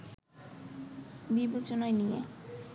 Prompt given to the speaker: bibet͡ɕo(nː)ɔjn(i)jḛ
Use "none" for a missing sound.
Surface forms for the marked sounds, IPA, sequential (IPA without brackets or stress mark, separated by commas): n, i